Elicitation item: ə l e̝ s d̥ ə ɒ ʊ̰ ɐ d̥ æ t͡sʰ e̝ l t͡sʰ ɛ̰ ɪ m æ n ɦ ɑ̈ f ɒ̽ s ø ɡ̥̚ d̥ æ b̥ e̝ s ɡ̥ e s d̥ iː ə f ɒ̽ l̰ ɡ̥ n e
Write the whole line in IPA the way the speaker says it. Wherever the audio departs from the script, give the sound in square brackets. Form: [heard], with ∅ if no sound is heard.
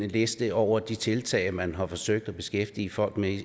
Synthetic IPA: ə l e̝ s d̥ ə ɒ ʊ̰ ɐ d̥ [i] t͡sʰ e̝ l t͡sʰ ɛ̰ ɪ m æ n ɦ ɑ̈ f ɒ̽ s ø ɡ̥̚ d̥ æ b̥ e̝ s ɡ̥ e [f] d̥ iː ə f ɒ̽ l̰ ɡ̥ [m] e